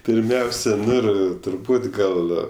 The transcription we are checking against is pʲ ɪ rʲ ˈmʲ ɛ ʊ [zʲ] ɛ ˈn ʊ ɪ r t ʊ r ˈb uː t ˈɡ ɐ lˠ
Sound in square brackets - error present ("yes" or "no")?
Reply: yes